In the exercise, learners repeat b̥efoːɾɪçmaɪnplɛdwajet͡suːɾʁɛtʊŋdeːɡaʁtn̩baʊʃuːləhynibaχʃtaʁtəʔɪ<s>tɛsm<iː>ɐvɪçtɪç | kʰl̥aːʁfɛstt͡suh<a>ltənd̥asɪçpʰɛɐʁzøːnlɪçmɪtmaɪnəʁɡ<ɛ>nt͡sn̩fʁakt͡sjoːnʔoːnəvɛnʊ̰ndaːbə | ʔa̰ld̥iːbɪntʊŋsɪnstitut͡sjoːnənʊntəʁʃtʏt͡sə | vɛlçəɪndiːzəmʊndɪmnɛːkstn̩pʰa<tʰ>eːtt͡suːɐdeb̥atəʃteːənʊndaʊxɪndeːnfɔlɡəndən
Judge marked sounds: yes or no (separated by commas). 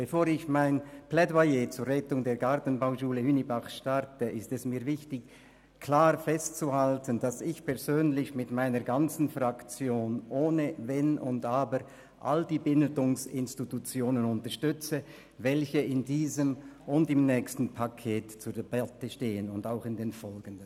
yes, yes, yes, no, no